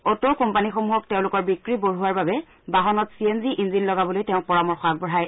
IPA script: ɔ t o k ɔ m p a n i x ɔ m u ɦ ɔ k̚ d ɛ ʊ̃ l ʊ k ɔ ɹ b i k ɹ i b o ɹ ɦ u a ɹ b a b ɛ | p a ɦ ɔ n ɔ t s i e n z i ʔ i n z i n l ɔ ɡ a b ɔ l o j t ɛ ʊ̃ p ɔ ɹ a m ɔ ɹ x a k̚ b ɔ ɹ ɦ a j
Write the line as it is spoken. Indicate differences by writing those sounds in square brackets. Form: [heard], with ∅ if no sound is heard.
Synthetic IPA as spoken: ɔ t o k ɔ m p a n i x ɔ m u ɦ ɔ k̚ [t] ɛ ʊ̃ l ʊ k ɔ ɹ b i k ɹ i b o ɹ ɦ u a ɹ b a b ɛ | [b] a ɦ ɔ n ɔ t s i e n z i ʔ i n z i n l ɔ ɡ a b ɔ l o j t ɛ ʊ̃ p ɔ ɹ a m ɔ ɹ x a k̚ b ɔ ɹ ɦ a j

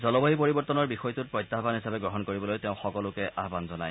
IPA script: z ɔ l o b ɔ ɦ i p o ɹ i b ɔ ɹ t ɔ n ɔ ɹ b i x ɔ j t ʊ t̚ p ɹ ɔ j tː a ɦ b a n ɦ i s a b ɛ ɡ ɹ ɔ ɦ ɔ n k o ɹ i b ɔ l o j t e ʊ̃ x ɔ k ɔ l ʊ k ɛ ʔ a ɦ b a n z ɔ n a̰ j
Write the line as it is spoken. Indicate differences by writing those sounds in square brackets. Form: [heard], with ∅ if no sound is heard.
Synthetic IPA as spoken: z ɔ l [ɔ] b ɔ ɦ i p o ɹ i b ɔ ɹ t ɔ n ɔ ɹ b i x ɔ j t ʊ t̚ p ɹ ɔ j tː a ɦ b a n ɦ i s a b ɛ ɡ ɹ ɔ ɦ ɔ n k o ɹ i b ɔ l o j t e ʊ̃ x ɔ k ɔ l ʊ k ɛ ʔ a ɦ b a n z ɔ n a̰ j

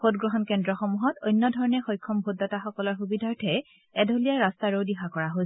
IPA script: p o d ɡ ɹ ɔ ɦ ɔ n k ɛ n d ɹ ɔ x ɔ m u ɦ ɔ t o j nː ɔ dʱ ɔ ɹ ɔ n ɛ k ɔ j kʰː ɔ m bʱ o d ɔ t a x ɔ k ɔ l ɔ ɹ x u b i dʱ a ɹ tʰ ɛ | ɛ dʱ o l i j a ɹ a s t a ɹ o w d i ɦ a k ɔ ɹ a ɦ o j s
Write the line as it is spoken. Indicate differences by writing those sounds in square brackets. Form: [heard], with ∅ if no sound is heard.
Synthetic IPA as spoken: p o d ɡ ɹ ɔ ɦ ɔ n k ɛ n d ɹ ɔ x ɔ m u ɦ ɔ t o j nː ɔ dʱ ɔ ɹ ɔ n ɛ [x] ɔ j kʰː ɔ m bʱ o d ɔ t a x ɔ k ɔ l ɔ ɹ x u b i dʱ a ɹ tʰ ɛ | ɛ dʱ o l i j a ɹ a s t a ɹ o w d i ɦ a k ɔ ɹ a ɦ o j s

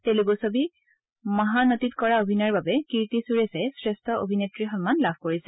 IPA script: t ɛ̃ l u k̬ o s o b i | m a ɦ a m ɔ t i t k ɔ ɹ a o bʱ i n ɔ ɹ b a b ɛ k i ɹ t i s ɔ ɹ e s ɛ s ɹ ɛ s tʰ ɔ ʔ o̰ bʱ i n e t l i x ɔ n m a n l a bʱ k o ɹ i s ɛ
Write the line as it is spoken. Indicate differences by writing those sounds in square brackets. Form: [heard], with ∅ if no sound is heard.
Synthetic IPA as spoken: t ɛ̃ l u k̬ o s o b i | m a ɦ a [n] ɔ t i t k ɔ ɹ a o bʱ i n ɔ ɹ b a b ɛ k i ɹ t i s [u] ɹ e s ɛ s ɹ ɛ s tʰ ɔ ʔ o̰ bʱ i n e t [ɹ] i x ɔ n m a n l a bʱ k o ɹ i s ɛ

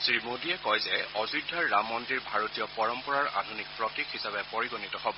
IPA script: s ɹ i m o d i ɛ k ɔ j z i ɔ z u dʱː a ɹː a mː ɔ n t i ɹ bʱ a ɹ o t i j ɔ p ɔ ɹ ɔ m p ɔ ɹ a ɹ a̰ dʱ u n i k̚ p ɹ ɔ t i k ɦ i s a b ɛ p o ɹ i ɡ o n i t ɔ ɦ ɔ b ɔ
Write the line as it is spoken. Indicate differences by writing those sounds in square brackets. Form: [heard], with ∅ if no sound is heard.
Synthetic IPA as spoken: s ɹ i m o d i ɛ k ɔ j z [ɛ] ɔ z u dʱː a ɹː a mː ɔ n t i ɹ bʱ a ɹ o t i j ɔ p ɔ ɹ ɔ m p ɔ ɹ a ɹ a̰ dʱ u n i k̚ p ɹ ɔ t i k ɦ i s a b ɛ p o ɹ i ɡ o n i t ɔ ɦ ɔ b ɔ

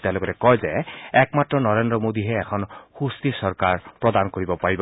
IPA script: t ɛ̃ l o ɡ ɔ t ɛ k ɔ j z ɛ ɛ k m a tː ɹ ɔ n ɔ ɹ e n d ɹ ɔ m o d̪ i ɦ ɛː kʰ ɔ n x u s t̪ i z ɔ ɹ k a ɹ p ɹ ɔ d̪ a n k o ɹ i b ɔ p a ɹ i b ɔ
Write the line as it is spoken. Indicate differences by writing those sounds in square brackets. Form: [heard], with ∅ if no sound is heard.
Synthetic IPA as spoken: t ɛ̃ l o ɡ ɔ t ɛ k ɔ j z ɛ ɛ k m a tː ɹ ɔ n ɔ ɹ e n d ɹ ɔ m o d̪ i ɦ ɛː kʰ ɔ n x u s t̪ i [s] ɔ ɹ k a ɹ p ɹ ɔ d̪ a n k o ɹ i b ɔ p a ɹ i b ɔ

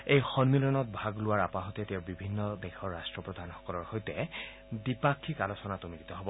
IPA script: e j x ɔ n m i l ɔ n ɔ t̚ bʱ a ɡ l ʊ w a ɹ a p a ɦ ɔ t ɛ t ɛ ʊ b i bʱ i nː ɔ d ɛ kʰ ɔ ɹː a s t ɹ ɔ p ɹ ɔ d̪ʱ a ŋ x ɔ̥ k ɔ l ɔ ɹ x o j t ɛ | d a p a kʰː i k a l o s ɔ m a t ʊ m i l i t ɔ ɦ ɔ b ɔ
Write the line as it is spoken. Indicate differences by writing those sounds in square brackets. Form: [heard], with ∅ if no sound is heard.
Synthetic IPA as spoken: e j x ɔ n m i l ɔ n ɔ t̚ bʱ a ɡ l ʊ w a ɹ a p a ɦ ɔ t ɛ t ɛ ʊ b i bʱ i nː ɔ d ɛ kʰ ɔ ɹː a s t ɹ ɔ p ɹ ɔ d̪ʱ a [n] x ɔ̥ k ɔ l ɔ ɹ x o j t ɛ | d [i] p a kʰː i k a l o s ɔ [n] a t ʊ m i l i t ɔ ɦ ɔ b ɔ

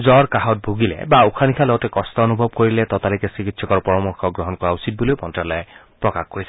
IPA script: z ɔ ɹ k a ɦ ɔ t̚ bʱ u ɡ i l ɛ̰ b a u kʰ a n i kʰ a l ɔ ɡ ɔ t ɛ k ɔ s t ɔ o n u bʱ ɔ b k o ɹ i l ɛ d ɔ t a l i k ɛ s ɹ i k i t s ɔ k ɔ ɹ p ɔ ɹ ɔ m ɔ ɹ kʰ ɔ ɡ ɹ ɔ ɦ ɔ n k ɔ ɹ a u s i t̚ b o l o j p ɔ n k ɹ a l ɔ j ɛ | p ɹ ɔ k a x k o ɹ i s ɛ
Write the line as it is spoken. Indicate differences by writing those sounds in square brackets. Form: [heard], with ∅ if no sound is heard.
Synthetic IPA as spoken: z ɔ ɹ k a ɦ ɔ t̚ bʱ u ɡ i l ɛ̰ b a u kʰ a n i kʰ a l ɔ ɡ ɔ t ɛ k ɔ s t ɔ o n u bʱ ɔ b k o ɹ i l ɛ [t] ɔ t a l i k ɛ s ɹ i k i t s ɔ k ɔ ɹ p ɔ ɹ ɔ m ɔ ɹ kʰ ɔ ɡ ɹ ɔ ɦ ɔ n k ɔ ɹ a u s i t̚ b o l o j p ɔ n [t] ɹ a l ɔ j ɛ | p ɹ ɔ k a x k o ɹ i s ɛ

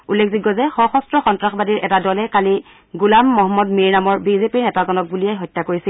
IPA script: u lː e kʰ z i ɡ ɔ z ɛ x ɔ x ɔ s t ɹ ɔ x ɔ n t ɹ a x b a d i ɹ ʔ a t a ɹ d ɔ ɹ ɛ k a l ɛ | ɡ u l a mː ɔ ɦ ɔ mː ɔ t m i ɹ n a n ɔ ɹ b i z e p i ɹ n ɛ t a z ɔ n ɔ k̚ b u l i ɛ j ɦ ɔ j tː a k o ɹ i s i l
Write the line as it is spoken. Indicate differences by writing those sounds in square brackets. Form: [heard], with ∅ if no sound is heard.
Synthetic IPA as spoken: u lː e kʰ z i ɡ ɔ z ɛ x ɔ x ɔ s t ɹ ɔ x ɔ n t ɹ a x b a d i ɹ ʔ [ɛ] t a [∅] d ɔ [l] ɛ k a l [i] | ɡ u l a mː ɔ ɦ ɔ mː ɔ [d] m i ɹ n a [m] ɔ ɹ b i z e p i ɹ n ɛ t a z ɔ n ɔ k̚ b u l i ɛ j ɦ ɔ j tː a k o ɹ i s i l

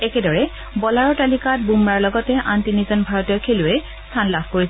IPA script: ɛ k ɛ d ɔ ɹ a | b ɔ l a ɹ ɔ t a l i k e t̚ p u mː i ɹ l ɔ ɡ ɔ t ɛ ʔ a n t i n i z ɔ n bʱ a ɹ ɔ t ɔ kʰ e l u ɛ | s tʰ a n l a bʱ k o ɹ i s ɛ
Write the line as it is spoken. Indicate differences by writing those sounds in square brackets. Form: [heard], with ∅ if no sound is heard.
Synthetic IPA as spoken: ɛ k ɛ d ɔ ɹ [ɛ] | b ɔ l a ɹ ɔ t a l i k [a] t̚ [b] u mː [a] ɹ l ɔ ɡ ɔ t ɛ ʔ a n t i n i z ɔ n bʱ a ɹ ɔ t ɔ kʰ e l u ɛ | s tʰ a n l a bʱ k o ɹ i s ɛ

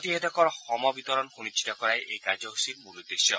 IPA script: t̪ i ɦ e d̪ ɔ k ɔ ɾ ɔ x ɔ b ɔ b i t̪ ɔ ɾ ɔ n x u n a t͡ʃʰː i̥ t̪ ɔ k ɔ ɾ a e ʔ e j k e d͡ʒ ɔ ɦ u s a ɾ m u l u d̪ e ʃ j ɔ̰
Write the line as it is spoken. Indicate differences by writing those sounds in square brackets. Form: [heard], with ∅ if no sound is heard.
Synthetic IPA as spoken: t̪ i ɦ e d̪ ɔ k ɔ ɾ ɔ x ɔ [m] ɔ b i t̪ ɔ ɾ ɔ n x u n [i] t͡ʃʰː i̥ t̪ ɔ k ɔ ɾ a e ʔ e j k [a] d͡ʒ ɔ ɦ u s [i] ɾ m u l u d̪ e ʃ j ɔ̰

